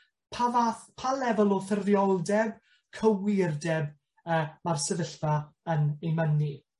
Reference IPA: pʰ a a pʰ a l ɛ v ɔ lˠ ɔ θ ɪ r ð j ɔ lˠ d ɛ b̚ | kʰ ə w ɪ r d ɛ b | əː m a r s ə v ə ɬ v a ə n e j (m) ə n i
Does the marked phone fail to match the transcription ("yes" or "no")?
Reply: no